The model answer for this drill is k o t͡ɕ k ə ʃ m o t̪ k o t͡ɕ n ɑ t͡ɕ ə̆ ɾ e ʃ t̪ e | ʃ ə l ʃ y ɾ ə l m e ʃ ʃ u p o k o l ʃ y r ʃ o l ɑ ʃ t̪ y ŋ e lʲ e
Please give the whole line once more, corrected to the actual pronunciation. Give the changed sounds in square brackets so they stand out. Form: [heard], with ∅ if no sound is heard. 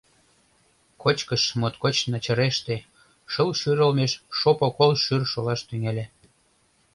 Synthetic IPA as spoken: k o t͡ɕ k ə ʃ m o t̪ k o t͡ɕ n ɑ t͡ɕ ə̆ ɾ e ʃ t̪ e | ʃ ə l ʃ y ɾ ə l m e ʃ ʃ [o] p o k o l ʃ y r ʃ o l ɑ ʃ t̪ y ŋ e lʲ e